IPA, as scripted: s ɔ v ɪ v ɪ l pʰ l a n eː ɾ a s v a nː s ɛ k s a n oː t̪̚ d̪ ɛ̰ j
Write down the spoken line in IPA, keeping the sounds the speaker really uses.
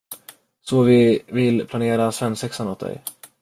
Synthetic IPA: s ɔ v ɪ v ɪ l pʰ l a n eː ɾ a s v ɛ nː s ɛ k s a n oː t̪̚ d̪ ɛ̰ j